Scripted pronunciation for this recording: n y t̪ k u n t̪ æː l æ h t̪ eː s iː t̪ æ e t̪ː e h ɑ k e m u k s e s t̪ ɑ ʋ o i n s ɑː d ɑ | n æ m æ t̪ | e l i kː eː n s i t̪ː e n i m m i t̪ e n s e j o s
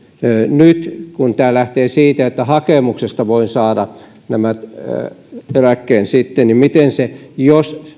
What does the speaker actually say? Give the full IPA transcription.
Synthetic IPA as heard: n y t̪ k u n t̪ æː l æ h t̪ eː s iː t̪ æ e t̪ː æ h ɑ k e m u k s e s t̪ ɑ ʋ o i n s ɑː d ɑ | n æ m æ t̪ | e l æ kː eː n s i t̪ː e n i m m i t̪ e n s e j o s